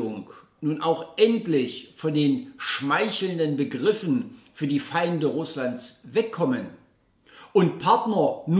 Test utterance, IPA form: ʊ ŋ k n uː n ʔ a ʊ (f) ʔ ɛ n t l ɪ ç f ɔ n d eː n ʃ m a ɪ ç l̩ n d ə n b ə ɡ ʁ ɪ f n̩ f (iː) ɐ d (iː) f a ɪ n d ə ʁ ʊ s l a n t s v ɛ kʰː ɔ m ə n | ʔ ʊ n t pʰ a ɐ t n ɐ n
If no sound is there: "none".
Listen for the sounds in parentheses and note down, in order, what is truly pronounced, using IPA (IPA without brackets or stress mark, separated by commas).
x, yː, iː